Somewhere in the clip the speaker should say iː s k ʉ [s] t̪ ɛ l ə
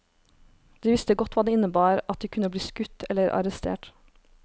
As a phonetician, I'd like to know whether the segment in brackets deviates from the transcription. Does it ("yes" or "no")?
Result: yes